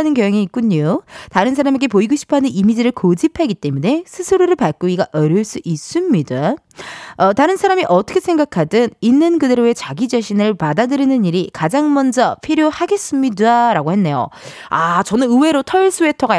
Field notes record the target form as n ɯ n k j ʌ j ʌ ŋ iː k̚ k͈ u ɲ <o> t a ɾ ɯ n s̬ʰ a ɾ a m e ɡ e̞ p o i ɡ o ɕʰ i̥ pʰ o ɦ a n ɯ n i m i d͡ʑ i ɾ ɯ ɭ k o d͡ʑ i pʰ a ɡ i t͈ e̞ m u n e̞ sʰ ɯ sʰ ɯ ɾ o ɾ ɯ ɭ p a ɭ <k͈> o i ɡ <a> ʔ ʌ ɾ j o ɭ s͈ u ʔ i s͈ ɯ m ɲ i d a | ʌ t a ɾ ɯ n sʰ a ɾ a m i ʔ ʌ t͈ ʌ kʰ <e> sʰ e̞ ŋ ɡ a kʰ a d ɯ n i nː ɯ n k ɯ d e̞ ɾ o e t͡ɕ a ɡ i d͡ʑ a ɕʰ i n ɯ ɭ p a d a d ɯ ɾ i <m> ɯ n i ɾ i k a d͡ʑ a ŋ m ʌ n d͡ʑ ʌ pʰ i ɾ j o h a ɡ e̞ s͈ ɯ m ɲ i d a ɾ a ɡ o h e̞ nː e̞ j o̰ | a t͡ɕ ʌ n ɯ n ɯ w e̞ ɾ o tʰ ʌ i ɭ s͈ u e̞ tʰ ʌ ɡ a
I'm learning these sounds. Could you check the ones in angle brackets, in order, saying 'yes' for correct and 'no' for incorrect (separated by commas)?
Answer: yes, yes, yes, yes, no